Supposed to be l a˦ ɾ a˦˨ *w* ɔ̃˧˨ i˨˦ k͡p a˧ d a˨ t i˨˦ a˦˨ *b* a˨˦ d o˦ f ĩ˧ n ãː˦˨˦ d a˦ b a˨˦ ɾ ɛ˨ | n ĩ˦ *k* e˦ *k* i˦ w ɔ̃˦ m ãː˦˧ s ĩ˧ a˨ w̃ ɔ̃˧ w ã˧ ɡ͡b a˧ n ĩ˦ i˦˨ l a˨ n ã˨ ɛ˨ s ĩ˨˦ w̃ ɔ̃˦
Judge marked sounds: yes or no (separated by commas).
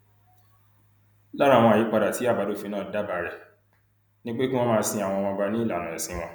yes, yes, no, yes